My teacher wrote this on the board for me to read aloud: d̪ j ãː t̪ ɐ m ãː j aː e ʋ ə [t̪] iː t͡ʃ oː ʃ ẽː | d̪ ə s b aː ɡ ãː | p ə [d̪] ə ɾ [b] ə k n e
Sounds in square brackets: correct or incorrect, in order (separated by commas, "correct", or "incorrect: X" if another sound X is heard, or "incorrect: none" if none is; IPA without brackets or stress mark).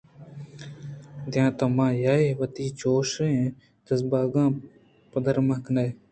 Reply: correct, correct, incorrect: m